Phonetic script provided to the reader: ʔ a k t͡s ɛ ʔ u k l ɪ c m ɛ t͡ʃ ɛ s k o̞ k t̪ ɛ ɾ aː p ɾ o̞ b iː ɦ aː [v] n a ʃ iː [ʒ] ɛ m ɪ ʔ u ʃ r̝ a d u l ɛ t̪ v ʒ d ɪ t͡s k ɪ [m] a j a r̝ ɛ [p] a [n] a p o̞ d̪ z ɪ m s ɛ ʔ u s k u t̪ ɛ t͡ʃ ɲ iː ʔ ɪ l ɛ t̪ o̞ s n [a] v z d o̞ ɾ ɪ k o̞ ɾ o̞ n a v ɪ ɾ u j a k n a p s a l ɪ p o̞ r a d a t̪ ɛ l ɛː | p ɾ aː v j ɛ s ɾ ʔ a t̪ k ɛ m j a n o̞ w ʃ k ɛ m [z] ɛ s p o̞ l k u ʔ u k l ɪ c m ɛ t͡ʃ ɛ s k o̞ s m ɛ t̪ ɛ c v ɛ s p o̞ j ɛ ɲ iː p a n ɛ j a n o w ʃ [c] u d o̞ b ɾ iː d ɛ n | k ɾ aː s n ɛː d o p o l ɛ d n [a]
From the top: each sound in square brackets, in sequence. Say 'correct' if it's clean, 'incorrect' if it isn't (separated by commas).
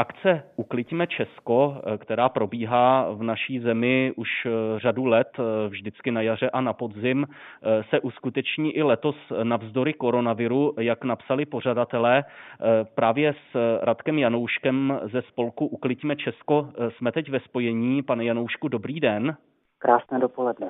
correct, incorrect, incorrect, incorrect, correct, correct, correct, incorrect, incorrect